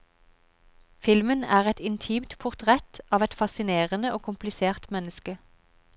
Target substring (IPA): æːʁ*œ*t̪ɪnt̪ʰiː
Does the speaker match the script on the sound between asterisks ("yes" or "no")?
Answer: no